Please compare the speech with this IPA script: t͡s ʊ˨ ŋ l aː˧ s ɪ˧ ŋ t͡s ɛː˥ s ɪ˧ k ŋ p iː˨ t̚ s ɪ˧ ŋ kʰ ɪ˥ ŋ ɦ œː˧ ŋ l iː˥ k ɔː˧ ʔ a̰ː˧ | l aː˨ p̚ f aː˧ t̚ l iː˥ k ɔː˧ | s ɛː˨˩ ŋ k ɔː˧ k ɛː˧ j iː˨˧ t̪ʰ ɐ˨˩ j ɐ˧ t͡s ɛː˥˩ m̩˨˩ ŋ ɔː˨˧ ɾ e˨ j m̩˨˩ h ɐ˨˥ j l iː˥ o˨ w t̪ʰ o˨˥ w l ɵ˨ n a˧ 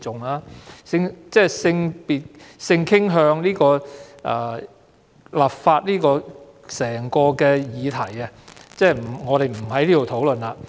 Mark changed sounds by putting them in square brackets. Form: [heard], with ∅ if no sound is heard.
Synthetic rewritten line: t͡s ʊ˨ ŋ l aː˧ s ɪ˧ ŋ t͡s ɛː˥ s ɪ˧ [∅] ŋ p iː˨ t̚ s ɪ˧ ŋ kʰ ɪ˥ ŋ ɦ œː˧ ŋ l iː˥ k ɔː˧ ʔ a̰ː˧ | l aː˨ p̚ f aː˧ t̚ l iː˥ k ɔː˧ | s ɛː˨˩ ŋ k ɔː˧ k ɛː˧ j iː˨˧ t̪ʰ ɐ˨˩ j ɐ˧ t͡s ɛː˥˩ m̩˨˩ ŋ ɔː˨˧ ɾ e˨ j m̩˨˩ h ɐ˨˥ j l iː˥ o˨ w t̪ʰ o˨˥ w l ɵ˨ n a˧